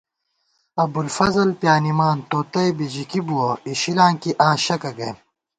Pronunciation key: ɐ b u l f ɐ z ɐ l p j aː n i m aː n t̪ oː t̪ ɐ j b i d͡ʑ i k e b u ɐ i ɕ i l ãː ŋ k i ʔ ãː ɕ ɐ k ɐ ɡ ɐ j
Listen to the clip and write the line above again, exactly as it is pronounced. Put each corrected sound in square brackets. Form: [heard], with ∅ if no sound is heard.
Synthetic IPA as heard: ɐ b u l f ɐ z ɐ l p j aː n i m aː n t̪ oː t̪ ɐ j b i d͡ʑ i k [i] b u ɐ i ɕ i l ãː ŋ k i ʔ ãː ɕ ɐ k ɐ ɡ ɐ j